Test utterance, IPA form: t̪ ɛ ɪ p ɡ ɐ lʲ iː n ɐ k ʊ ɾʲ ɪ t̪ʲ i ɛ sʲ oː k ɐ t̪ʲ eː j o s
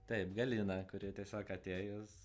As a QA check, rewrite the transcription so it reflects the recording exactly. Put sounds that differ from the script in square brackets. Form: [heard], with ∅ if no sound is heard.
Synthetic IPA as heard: t̪ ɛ ɪ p ɡ ɐ lʲ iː n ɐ k ʊ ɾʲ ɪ t̪ʲ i ɛ sʲ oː k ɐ t̪ʲ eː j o s